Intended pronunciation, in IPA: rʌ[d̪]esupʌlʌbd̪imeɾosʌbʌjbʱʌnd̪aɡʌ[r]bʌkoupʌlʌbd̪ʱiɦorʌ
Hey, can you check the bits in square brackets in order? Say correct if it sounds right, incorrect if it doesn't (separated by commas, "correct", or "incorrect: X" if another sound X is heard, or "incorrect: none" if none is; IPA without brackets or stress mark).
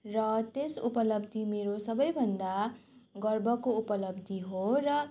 incorrect: t̪, correct